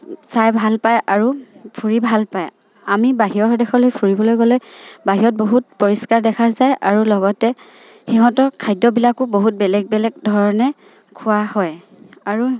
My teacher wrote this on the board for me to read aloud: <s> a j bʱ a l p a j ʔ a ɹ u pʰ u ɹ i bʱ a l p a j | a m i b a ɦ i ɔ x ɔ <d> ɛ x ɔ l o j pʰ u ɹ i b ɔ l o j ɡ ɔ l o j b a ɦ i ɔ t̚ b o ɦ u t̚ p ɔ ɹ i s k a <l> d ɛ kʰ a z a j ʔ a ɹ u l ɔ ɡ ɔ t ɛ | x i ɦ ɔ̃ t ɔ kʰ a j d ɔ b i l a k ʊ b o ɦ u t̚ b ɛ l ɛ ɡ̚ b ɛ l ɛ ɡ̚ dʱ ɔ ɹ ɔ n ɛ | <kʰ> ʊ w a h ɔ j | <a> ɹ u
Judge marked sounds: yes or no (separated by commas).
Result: yes, yes, no, yes, yes